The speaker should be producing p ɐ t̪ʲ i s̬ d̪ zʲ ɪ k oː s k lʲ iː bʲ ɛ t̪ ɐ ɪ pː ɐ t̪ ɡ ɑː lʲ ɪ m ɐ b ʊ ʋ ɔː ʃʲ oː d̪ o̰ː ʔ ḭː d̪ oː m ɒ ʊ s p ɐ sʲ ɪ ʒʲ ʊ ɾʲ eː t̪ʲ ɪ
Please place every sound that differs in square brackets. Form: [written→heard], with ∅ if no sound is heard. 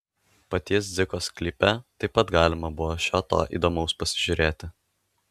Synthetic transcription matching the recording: p ɐ t̪ʲ i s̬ d̪ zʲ ɪ k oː s k lʲ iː [bʲ→pʲ] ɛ t̪ ɐ ɪ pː ɐ t̪ ɡ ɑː lʲ ɪ m ɐ b ʊ ʋ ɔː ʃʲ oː [d̪→t̪] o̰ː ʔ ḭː d̪ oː m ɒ ʊ s p ɐ sʲ ɪ ʒʲ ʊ ɾʲ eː t̪ʲ ɪ